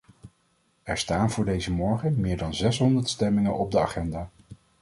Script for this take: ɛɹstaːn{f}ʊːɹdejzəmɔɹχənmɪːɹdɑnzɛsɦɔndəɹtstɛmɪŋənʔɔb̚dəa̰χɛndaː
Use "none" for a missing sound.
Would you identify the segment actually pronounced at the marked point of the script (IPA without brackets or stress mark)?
v